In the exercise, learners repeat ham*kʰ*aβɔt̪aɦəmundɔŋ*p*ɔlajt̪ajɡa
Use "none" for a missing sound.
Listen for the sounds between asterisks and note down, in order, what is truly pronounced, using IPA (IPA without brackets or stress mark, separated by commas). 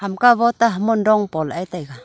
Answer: k, p